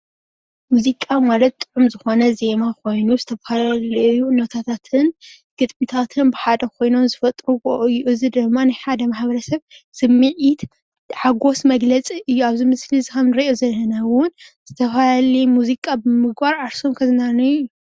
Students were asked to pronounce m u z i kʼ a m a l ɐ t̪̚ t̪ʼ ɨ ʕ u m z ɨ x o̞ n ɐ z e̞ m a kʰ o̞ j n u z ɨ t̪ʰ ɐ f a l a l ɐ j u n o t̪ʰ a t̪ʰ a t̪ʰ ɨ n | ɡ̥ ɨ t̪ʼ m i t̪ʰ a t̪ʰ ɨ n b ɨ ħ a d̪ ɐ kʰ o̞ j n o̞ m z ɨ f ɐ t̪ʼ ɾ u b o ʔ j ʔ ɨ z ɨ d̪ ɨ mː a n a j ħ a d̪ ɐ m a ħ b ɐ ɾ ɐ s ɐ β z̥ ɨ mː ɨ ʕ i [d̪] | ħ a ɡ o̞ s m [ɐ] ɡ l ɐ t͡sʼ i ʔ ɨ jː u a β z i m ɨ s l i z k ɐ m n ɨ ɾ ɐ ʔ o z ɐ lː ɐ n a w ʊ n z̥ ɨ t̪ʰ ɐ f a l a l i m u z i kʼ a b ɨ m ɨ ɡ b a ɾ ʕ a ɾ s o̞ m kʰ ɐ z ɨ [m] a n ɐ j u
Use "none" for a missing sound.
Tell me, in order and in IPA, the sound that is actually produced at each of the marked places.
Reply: t̪, ɐ, n

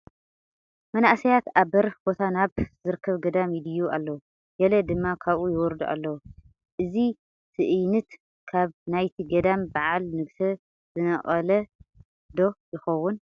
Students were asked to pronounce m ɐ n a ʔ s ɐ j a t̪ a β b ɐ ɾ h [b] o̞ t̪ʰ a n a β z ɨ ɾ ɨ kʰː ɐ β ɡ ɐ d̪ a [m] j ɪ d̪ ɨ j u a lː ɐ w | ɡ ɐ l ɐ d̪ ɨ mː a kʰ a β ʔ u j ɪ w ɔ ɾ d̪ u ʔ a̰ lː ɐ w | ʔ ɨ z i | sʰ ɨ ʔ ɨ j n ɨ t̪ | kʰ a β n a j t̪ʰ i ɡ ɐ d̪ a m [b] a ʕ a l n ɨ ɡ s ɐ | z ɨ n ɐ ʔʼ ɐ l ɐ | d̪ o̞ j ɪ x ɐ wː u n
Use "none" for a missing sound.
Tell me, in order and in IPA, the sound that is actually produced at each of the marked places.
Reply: b, m, b

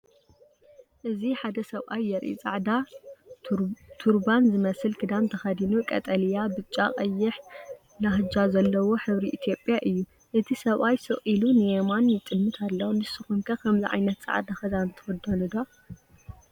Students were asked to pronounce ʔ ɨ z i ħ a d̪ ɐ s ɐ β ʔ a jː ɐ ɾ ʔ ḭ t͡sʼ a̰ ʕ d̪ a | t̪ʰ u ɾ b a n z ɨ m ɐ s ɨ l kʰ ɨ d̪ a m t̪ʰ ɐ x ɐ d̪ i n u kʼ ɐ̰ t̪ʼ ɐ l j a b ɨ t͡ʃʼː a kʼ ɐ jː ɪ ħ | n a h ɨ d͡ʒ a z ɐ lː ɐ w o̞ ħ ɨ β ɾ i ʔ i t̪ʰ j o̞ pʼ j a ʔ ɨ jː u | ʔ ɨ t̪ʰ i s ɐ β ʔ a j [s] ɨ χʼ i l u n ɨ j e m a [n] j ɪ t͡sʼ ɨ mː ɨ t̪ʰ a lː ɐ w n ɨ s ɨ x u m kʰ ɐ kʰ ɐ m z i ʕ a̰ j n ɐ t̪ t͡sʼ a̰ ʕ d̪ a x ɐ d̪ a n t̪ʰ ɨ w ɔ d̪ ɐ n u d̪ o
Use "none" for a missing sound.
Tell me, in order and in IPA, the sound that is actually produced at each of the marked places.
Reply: s, n

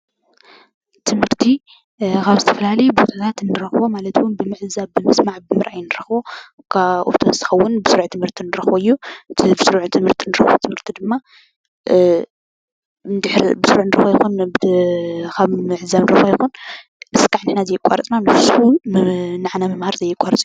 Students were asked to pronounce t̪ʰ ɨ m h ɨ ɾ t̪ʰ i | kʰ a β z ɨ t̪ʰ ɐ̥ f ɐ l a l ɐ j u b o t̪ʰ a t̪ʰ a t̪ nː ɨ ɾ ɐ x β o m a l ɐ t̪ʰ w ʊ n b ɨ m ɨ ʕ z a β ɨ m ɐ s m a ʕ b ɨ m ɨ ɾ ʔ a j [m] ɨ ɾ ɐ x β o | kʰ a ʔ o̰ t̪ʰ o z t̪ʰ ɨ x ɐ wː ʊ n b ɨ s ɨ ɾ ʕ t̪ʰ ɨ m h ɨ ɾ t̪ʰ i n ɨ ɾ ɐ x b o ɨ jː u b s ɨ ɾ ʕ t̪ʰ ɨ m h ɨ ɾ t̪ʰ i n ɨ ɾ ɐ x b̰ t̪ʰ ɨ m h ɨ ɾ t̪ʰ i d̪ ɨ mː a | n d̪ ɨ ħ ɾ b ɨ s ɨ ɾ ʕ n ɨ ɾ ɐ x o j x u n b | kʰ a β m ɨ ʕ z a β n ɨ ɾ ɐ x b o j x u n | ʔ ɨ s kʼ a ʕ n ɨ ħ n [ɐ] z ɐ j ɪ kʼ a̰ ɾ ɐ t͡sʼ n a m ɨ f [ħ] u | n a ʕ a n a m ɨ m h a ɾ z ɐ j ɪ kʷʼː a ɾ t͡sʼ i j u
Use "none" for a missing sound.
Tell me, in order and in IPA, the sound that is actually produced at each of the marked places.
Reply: n, a, s

